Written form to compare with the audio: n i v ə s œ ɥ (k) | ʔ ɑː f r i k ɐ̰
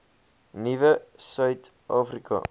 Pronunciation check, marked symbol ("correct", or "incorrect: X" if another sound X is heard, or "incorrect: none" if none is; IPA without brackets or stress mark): incorrect: t